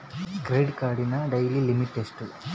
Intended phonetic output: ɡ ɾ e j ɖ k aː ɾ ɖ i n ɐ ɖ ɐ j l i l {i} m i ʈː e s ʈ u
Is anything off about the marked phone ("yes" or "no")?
no